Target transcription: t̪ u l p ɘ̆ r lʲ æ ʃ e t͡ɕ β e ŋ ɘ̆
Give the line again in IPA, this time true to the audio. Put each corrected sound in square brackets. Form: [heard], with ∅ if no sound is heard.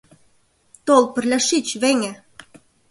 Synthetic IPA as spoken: t̪ [o] l p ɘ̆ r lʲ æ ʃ [i] t͡ɕ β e ŋ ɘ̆